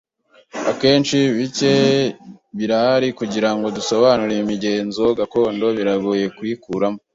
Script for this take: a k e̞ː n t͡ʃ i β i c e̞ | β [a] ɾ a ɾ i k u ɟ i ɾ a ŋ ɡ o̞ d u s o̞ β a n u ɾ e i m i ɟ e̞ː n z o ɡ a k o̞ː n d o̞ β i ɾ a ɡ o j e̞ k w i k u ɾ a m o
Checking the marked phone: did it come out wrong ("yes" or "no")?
yes